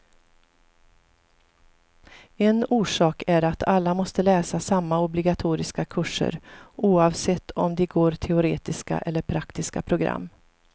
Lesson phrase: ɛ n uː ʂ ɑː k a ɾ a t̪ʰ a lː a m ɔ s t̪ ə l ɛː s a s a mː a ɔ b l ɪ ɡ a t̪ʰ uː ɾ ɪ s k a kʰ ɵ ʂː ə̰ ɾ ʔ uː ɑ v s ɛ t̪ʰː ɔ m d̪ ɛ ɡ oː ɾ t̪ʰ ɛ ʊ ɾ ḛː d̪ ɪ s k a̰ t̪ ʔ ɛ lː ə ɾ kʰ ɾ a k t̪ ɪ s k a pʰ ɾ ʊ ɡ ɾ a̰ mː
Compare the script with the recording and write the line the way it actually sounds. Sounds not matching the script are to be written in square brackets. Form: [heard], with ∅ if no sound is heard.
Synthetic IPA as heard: ɛ n uː ʂ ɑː k [æ] ɾ a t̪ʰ a lː a m ɔ s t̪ ə l ɛː s a s a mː a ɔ b l ɪ ɡ a t̪ʰ uː ɾ ɪ s k a kʰ ɵ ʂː ə̰ ɾ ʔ uː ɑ v s ɛ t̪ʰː ɔ m d̪ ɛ ɡ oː ɾ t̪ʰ ɛ ʊ ɾ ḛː [t̪] ɪ s k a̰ [∅] ʔ ɛ lː ə ɾ [pʰ] ɾ a k t̪ ɪ s k a pʰ ɾ ʊ ɡ ɾ a̰ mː